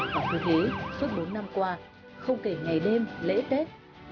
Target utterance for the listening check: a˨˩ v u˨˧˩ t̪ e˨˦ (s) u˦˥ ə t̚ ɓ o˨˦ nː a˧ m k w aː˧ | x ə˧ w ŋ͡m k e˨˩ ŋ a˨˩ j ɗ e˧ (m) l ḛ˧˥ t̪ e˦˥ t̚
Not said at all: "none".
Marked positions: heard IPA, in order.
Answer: s, m

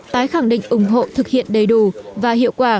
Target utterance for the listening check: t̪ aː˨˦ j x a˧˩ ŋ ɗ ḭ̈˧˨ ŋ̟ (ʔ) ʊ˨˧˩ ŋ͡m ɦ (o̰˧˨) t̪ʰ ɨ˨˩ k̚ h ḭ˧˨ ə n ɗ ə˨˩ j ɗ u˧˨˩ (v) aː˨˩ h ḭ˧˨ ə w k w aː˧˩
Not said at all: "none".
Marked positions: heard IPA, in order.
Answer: ʔ, o̰˧˨, v

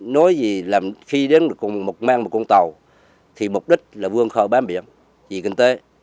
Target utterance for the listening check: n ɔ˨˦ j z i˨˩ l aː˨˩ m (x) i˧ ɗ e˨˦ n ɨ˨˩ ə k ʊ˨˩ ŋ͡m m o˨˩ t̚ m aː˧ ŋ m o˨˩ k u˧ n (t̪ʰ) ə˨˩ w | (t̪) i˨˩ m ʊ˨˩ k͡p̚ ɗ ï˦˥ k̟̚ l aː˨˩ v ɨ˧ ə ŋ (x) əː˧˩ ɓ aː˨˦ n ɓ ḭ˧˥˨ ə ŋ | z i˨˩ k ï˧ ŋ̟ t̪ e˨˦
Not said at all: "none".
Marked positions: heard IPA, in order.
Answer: x, t̪, t̪ʰ, x

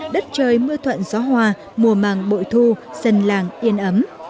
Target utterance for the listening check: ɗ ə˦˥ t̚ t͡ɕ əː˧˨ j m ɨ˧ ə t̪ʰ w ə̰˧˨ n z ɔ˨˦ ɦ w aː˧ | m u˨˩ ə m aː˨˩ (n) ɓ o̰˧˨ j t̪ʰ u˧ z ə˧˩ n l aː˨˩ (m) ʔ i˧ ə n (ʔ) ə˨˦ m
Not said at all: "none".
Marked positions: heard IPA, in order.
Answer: ŋ, ŋ, ʔ

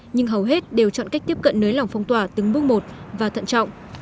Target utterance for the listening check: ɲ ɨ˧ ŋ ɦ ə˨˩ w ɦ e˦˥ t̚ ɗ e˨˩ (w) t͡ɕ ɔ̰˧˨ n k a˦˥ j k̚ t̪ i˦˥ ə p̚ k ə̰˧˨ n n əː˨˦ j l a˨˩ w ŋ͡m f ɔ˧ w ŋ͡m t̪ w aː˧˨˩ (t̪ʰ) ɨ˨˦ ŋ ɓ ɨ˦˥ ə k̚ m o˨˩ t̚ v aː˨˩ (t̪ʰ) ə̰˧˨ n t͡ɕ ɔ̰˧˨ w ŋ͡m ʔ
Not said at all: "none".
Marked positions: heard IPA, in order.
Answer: w, t̪, t̪ʰ

